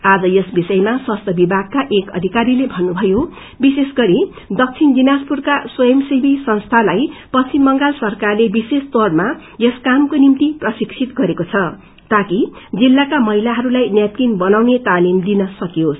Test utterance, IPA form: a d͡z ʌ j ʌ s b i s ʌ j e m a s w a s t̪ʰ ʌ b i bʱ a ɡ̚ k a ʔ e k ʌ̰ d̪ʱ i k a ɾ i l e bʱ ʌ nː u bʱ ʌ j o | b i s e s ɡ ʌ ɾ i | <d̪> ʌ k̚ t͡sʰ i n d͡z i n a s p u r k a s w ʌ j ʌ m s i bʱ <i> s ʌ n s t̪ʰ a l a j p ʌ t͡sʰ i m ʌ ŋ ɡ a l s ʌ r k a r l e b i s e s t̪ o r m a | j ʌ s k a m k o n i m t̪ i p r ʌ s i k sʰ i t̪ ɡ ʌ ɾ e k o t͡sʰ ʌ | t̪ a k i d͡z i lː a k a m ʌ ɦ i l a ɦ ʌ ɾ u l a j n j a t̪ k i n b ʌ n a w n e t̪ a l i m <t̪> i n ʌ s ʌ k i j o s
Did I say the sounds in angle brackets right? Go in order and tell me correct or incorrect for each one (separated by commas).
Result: correct, correct, incorrect